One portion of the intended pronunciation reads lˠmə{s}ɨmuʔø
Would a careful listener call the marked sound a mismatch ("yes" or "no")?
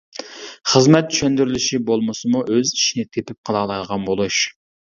no